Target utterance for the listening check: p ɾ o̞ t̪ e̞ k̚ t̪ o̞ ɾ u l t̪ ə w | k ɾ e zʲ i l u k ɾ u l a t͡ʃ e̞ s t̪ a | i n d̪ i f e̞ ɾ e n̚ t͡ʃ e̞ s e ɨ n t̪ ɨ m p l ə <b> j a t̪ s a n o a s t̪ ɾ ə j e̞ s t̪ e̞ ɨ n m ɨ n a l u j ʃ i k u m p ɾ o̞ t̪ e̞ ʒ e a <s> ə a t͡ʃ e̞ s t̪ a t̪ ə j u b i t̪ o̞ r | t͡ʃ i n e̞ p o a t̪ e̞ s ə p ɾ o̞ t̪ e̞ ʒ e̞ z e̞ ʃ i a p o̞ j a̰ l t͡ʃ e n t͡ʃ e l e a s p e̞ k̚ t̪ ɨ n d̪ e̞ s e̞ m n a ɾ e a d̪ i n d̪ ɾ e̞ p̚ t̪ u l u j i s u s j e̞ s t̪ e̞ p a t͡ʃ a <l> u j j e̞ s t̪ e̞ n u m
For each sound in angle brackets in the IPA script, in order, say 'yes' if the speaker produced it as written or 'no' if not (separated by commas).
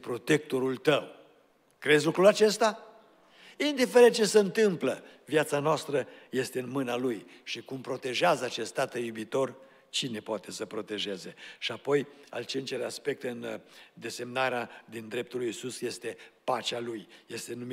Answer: no, no, yes